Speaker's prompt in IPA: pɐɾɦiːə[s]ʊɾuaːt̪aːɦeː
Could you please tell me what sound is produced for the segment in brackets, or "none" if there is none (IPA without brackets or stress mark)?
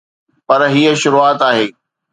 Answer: ʃ